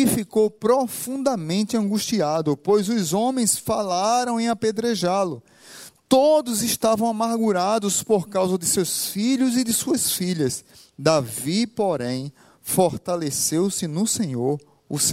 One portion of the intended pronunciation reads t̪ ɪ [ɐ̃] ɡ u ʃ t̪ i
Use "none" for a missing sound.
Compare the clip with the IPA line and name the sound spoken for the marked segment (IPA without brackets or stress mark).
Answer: ɐ̃